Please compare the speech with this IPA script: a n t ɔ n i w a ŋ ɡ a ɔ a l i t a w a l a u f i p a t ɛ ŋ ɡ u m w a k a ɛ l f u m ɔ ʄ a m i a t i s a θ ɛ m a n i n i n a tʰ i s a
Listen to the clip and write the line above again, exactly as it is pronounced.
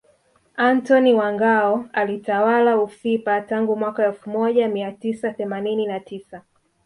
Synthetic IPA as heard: a n t ɔ n i w a ŋ ɡ a ɔ a l i t a w a l a u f i p a t a ŋ ɡ u m w a k a ɛ l f u m ɔ ʄ a m i a t i s a θ ɛ m a n i n i n a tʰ i s a